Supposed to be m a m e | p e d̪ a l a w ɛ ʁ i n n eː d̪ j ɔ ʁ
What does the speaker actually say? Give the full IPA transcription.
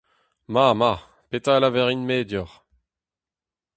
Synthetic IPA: m a m a | p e t̪ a l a v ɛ ʁ i n m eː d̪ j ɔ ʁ